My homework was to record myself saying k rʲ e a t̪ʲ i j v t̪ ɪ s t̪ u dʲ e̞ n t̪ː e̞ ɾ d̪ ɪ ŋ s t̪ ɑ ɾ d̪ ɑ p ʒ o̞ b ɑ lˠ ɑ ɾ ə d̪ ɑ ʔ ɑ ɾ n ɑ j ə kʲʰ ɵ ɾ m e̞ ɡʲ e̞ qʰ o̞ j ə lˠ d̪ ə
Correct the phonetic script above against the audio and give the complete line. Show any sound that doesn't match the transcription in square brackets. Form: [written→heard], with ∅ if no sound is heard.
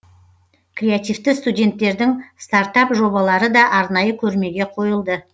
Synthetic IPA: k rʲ e a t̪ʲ i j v t̪ ɪ s t̪ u dʲ e̞ n t̪ː e̞ ɾ d̪ ɪ ŋ s t̪ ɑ ɾ [d̪→t̪] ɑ p ʒ o̞ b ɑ lˠ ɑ ɾ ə d̪ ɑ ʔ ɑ ɾ n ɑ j ə kʲʰ ɵ ɾ m e̞ ɡʲ e̞ qʰ o̞ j ə lˠ d̪ ə

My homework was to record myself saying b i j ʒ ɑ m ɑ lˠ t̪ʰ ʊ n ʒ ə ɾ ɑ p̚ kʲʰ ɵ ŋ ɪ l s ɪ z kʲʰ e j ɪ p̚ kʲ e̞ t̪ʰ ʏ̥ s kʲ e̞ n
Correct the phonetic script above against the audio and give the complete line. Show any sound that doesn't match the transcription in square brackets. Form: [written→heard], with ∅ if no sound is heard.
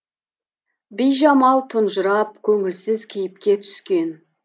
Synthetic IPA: b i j ʒ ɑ m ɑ lˠ t̪ʰ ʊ n ʒ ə ɾ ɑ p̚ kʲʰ ɵ ŋ ɪ l s ɪ z kʲʰ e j ɪ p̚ kʲ e̞ t̪ʰ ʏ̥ s kʲ e̞ n

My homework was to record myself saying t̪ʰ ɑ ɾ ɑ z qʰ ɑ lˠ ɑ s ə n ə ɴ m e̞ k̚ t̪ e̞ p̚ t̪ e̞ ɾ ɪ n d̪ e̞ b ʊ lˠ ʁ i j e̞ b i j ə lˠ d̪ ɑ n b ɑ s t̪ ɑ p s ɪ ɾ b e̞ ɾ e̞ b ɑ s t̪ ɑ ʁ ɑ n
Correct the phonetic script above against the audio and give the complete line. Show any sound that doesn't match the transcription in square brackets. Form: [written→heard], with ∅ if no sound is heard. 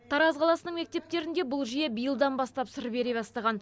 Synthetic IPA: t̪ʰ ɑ ɾ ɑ z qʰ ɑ lˠ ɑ s ə n ə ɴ m e̞ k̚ t̪ e̞ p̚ t̪ e̞ ɾ ɪ n d̪ e̞ b ʊ lˠ [ʁ→ʒ] i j e̞ b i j ə lˠ d̪ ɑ n b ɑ s t̪ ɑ p s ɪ ɾ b e̞ ɾ e̞ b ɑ s t̪ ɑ ʁ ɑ n

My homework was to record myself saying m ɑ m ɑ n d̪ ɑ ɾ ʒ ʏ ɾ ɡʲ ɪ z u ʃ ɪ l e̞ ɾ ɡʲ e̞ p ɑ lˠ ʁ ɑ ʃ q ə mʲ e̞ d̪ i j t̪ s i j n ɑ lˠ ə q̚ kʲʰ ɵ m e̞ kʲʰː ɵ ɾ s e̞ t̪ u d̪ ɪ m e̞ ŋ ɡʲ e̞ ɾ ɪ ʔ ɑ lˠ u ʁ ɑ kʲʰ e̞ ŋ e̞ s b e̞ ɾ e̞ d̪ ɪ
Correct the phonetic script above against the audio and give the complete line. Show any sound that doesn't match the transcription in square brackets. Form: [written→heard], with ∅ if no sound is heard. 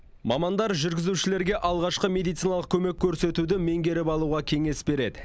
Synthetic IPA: m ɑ m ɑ n d̪ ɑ ɾ ʒ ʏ ɾ ɡʲ ɪ z u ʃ ɪ l e̞ ɾ ɡʲ e̞ [p→ʔ] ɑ lˠ ʁ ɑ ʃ q ə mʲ e̞ d̪ i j t̪ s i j n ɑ lˠ ə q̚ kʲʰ ɵ m e̞ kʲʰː ɵ ɾ s e̞ t̪ u d̪ ɪ m e̞ ŋ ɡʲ e̞ ɾ ɪ [ʔ→p] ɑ lˠ u ʁ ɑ kʲʰ e̞ ŋ e̞ s b e̞ ɾ e̞ d̪ ɪ

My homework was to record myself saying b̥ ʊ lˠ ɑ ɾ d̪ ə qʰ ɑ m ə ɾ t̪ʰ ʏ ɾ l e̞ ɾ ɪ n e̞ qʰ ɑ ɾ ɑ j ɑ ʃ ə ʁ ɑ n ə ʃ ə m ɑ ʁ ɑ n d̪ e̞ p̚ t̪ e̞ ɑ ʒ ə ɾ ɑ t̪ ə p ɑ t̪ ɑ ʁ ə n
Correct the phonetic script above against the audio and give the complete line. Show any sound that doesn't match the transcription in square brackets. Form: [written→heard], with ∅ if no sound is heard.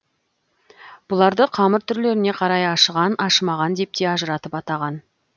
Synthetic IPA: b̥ ʊ lˠ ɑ ɾ d̪ ə qʰ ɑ m ə ɾ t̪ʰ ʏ ɾ l e̞ ɾ ɪ n e̞ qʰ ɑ ɾ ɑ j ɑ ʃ ə ʁ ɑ n [ə→ɑ] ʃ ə m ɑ ʁ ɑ n d̪ e̞ p̚ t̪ e̞ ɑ ʒ ə ɾ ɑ t̪ ə p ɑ t̪ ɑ ʁ [ə→ɑ] n

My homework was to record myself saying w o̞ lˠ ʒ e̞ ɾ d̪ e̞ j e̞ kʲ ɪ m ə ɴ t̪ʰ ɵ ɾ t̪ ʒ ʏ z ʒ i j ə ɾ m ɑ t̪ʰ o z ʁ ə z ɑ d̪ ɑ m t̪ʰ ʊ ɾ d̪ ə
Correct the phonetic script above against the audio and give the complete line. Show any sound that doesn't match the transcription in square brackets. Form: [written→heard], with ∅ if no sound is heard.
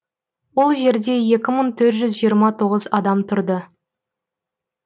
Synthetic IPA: w o̞ lˠ ʒ e̞ ɾ d̪ e̞ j e̞ kʲ ɪ m ə ɴ t̪ʰ ɵ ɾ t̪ ʒ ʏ z ʒ i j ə ɾ m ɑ t̪ʰ o [z→∅] ʁ ə z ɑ d̪ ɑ m t̪ʰ ʊ ɾ d̪ ə

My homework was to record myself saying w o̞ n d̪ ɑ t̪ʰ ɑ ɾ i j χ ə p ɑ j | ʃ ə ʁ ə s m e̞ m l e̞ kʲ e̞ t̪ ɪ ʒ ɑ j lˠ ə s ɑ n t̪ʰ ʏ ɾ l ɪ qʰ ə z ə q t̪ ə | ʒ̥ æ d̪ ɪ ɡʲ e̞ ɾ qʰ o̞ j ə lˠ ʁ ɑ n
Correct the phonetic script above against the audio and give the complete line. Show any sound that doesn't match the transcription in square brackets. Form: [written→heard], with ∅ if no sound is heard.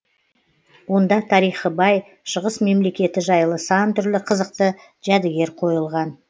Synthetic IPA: w o̞ n d̪ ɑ t̪ʰ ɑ ɾ i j χ ə [p→b] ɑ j | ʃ ə ʁ ə s m e̞ m l e̞ kʲ e̞ t̪ ɪ ʒ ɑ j lˠ ə s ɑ n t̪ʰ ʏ ɾ l ɪ qʰ ə z ə q t̪ ə | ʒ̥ æ d̪ ɪ ɡʲ e̞ ɾ qʰ o̞ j ə lˠ ʁ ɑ n

